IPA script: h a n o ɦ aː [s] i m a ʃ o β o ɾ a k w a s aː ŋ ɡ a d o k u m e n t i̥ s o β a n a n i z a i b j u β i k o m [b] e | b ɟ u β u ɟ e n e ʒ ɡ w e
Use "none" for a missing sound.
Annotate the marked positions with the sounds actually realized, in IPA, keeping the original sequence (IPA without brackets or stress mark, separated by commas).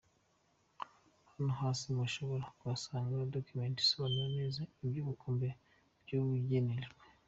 s, b